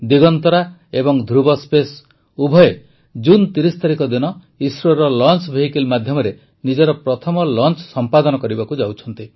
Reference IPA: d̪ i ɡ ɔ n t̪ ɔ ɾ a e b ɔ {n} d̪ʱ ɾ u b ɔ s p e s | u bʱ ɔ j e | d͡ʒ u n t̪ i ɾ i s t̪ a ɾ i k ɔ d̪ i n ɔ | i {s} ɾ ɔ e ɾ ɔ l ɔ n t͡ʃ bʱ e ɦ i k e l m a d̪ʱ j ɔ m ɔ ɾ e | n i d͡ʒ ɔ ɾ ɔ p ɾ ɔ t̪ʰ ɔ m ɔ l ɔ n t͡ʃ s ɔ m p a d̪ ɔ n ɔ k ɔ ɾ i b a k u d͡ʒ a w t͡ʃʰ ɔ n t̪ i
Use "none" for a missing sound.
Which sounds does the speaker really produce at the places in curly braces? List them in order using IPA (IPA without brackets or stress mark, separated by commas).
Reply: ŋ, s